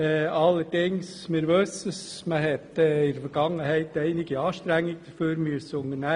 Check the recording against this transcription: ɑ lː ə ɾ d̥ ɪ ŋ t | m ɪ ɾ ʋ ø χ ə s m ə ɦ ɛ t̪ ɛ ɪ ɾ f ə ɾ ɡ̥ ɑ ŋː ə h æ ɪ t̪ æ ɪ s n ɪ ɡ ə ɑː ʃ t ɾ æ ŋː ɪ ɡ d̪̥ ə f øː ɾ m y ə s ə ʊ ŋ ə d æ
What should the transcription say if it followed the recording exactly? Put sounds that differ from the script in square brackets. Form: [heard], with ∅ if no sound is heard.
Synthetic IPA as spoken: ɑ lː ə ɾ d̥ ɪ ŋ [s] | m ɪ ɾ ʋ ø [s] ə s m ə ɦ ɛ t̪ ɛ ɪ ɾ f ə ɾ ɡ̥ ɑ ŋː ə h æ ɪ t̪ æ ɪ [∅] n ɪ ɡ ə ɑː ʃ t ɾ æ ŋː ɪ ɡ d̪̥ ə f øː ɾ m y ə s ə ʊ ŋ ə [n] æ